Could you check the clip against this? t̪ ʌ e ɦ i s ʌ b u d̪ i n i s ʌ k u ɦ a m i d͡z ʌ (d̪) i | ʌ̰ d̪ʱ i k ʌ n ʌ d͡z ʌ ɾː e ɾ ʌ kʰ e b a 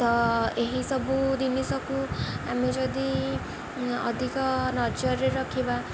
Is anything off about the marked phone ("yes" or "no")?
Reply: no